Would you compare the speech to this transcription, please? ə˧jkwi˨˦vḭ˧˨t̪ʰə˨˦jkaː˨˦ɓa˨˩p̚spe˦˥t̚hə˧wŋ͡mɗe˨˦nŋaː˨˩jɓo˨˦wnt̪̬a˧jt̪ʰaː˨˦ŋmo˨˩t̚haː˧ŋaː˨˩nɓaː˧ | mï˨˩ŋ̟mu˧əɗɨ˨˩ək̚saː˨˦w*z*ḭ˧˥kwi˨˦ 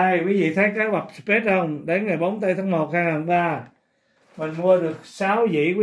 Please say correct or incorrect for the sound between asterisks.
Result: correct